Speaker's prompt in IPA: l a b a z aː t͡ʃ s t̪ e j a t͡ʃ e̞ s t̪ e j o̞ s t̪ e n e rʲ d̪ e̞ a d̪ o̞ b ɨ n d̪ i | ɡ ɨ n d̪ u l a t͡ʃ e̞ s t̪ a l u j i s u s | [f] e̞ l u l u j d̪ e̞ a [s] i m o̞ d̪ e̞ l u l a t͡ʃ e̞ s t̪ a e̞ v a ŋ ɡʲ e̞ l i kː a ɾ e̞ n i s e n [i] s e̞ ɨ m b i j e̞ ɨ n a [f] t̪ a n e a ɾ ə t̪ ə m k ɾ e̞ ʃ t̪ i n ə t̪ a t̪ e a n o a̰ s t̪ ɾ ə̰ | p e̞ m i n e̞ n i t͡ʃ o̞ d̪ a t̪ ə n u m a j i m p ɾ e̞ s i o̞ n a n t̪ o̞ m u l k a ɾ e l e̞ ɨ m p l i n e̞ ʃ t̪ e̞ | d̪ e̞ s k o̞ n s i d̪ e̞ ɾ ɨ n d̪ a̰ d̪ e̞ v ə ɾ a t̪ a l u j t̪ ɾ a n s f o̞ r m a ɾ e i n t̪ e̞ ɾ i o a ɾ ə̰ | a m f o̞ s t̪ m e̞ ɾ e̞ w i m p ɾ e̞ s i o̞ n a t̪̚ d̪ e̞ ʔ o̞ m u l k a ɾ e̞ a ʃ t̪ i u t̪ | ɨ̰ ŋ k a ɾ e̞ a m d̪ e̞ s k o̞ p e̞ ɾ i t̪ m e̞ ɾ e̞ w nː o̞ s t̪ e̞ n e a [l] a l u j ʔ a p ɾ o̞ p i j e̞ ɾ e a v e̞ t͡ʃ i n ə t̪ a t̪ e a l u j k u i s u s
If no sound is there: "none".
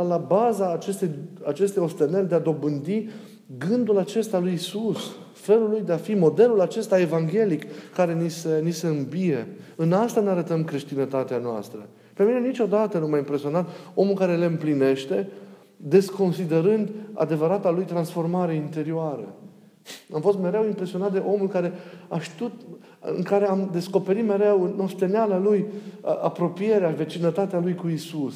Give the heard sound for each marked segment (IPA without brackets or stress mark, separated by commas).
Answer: f, f, i, s, l